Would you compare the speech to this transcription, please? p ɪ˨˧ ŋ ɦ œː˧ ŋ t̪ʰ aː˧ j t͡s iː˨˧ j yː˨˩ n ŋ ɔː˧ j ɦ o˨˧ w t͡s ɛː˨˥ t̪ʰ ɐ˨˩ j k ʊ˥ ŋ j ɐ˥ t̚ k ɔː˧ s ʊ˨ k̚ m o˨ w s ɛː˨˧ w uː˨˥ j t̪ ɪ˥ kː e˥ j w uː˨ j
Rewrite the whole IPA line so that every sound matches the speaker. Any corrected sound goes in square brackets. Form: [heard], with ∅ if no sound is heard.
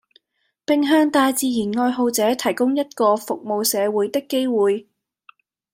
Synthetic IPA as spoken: p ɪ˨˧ ŋ ɦ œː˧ ŋ [t̪] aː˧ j t͡s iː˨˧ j [iː˨˩] n ŋ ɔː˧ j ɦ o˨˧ w t͡s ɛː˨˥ t̪ʰ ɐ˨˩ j k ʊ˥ ŋ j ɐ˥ t̚ k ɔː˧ [f] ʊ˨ k̚ m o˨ w s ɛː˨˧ w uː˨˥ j t̪ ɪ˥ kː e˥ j w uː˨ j